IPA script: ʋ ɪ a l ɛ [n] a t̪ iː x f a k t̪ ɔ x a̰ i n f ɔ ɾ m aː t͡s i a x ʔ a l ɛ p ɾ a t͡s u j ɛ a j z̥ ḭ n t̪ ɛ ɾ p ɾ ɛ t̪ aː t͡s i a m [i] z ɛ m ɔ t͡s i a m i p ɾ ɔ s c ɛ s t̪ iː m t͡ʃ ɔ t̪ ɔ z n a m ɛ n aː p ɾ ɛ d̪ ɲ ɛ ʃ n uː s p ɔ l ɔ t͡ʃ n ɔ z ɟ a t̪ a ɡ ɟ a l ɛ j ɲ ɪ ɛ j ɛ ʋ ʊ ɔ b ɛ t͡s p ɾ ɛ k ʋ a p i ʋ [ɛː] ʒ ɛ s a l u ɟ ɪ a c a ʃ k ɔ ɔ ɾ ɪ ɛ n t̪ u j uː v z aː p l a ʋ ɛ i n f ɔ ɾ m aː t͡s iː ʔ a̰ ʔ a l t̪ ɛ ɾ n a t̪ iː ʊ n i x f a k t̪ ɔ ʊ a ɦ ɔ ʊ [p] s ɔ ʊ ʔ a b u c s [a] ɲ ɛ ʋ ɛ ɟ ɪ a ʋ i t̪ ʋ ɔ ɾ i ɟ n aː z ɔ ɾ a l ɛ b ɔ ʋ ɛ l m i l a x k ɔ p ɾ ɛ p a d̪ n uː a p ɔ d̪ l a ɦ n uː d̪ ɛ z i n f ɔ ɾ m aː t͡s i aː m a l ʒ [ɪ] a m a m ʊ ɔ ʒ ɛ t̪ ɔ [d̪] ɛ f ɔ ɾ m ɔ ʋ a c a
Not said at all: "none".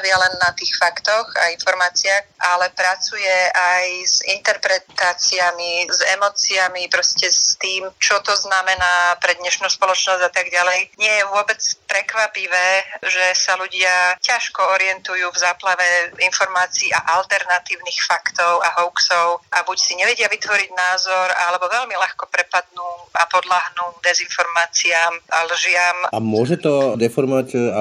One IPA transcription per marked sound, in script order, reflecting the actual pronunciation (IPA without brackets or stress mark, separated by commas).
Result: nː, i, ɛː, k, i, ɪ, d̪